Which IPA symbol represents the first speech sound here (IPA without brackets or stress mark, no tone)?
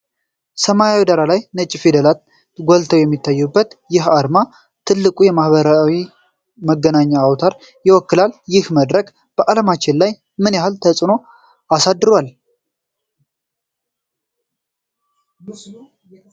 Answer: s